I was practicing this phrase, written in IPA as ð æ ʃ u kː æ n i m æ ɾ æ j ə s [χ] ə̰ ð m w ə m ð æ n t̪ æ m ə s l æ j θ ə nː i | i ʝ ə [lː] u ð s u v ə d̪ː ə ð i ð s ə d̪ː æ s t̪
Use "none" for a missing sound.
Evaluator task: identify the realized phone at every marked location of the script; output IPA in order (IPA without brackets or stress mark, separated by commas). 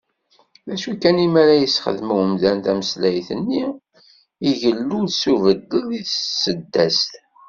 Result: χ, lː